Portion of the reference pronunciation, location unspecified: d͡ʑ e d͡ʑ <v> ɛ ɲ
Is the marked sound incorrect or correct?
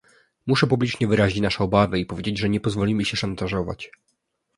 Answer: incorrect